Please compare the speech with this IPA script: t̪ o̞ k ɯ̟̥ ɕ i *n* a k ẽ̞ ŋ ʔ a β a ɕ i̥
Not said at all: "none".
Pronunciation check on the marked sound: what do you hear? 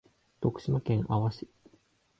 m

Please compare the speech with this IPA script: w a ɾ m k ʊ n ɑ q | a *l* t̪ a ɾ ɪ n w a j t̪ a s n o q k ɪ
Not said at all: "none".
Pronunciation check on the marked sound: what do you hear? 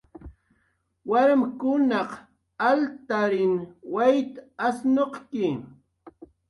l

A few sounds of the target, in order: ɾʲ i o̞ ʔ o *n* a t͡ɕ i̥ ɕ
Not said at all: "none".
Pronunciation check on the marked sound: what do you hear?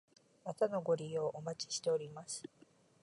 m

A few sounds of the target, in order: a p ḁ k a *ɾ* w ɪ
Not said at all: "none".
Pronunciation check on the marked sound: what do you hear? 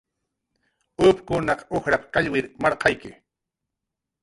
ʎ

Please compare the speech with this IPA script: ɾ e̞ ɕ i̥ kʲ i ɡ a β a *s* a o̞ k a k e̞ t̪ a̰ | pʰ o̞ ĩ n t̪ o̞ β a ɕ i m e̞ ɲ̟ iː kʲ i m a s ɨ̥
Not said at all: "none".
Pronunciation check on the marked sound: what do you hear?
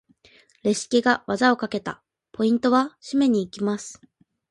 z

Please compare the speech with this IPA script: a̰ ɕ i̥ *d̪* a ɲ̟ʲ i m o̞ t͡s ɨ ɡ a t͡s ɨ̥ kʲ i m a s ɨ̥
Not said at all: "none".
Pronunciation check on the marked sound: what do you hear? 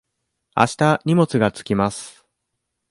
t̪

